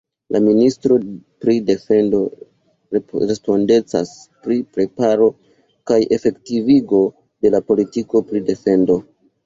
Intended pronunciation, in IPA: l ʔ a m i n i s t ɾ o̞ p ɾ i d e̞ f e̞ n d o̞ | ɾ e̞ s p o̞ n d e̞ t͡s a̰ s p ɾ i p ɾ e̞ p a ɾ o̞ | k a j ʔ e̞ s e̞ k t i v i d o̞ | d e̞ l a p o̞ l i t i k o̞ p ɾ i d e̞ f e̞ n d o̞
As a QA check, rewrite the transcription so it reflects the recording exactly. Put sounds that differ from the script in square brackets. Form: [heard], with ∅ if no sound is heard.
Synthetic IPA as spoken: l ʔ a m i n i s t ɾ o̞ p ɾ i d e̞ f e̞ n d o̞ | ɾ e̞ s p o̞ n d e̞ t͡s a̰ s p ɾ i p ɾ e̞ p a ɾ o̞ | k a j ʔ e̞ [f] e̞ k t i v i [ɡ] o̞ | d e̞ l a p o̞ l i t i k o̞ p ɾ i d e̞ f e̞ n d o̞